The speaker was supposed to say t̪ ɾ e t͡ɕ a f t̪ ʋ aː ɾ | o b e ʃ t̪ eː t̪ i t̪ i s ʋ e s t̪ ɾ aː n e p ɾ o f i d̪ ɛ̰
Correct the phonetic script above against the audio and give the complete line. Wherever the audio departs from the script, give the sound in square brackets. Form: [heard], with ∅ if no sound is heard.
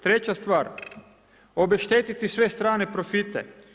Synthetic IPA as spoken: t̪ ɾ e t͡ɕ a [s] t̪ ʋ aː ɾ | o b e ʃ t̪ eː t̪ i t̪ i s ʋ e s t̪ ɾ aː n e p ɾ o f i [t̪] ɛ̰

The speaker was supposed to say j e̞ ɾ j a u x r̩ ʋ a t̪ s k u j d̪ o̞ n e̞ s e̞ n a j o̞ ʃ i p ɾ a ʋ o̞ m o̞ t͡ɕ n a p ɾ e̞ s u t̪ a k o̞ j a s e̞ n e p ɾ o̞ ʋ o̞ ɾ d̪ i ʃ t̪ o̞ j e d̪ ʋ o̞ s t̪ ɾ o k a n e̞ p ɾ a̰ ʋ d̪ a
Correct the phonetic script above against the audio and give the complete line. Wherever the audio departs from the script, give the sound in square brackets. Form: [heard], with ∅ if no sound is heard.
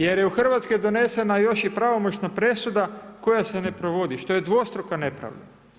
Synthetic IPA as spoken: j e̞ ɾ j [e] u x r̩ ʋ a t̪ s k [o] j d̪ o̞ n e̞ s e̞ n a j o̞ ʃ i p ɾ a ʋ o̞ m o̞ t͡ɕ n a p ɾ e̞ s u [d̪] a k o̞ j a s e̞ n e p ɾ o̞ ʋ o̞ [∅] d̪ i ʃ t̪ o̞ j e d̪ ʋ o̞ s t̪ ɾ o k a n e̞ p ɾ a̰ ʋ d̪ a

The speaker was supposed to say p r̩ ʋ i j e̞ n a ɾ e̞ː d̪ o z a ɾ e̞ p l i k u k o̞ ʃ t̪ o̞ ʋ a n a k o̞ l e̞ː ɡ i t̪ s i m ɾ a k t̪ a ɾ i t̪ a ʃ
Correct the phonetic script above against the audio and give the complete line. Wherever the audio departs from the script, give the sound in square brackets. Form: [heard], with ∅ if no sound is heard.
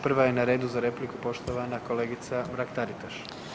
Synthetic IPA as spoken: p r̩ ʋ [a] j e̞ n a ɾ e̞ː d̪ [u] z a ɾ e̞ p l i k u [p] o̞ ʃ t̪ o̞ ʋ a n a k o̞ l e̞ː ɡ i t̪ s [a] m ɾ a k t̪ a ɾ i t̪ a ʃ

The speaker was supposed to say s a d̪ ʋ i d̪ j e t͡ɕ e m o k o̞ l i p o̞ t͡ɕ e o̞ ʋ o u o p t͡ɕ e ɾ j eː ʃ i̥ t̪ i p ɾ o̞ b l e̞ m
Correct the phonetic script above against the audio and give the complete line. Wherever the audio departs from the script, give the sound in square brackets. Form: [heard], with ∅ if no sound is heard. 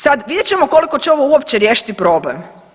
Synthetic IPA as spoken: s a d̪ ʋ i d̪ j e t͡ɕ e m o k o̞ l i [k] o̞ t͡ɕ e o̞ ʋ o u o p t͡ɕ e ɾ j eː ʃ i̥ t̪ i p ɾ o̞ b l e̞ m

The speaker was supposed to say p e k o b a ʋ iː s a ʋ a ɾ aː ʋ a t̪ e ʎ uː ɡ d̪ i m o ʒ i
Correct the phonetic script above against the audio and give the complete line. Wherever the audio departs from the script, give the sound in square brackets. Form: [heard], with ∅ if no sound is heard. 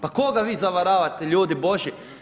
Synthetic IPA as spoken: p [a] k o [ɡ] a ʋ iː [z] a ʋ a ɾ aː ʋ a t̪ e ʎ uː [∅] d̪ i [b] o ʒ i

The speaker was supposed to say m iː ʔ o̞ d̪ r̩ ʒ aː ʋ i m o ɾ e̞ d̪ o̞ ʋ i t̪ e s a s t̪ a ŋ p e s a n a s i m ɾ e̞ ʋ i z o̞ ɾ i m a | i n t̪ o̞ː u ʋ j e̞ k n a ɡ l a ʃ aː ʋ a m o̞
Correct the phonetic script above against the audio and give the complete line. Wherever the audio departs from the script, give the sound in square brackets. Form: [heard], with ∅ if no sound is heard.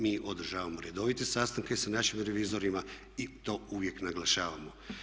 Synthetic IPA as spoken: m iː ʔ o̞ d̪ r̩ ʒ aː ʋ [a] m o ɾ e̞ d̪ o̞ ʋ i t̪ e s a s t̪ a ŋ [k] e s a n a [ʃ] i m ɾ e̞ ʋ i z o̞ ɾ i m a | i [∅] t̪ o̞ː u ʋ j e̞ k n a ɡ l a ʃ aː ʋ a m o̞

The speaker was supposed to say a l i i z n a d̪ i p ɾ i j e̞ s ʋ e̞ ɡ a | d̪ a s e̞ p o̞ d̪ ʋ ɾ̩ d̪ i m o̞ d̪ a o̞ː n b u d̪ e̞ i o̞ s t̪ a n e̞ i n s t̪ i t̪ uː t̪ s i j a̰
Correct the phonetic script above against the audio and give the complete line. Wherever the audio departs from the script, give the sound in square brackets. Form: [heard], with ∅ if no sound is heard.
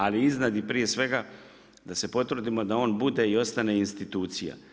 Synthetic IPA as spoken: a l i i z n a d̪ i p ɾ i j e̞ s ʋ e̞ ɡ a | d̪ a s e̞ p o̞ [t̪] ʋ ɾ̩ d̪ i m o̞ d̪ a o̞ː n b u d̪ e̞ i o̞ s t̪ a n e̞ i n s t̪ i t̪ uː t̪ s i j a̰

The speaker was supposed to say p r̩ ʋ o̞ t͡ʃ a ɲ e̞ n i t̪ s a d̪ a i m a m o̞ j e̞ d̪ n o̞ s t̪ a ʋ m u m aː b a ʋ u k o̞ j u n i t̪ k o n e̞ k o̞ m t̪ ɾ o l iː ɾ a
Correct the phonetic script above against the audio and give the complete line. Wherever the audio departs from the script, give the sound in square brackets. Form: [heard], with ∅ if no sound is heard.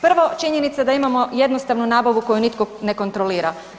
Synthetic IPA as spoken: p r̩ ʋ o̞ t͡ʃ [i] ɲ e̞ n i t̪ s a d̪ a i m a m o̞ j e̞ d̪ n o̞ s t̪ a ʋ [n] u [n] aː b a ʋ u k o̞ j u n i t̪ k o n e̞ k o̞ [n] t̪ ɾ o l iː ɾ a

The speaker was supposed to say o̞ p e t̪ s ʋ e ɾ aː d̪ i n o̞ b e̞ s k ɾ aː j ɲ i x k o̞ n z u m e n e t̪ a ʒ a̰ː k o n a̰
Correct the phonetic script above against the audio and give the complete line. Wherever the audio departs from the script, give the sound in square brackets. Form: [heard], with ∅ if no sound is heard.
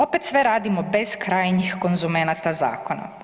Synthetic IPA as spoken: o̞ p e t̪ s ʋ e ɾ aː d̪ i [m] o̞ b e̞ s k ɾ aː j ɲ i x k o̞ n z u m e n [a] t̪ a [z] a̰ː k o n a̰

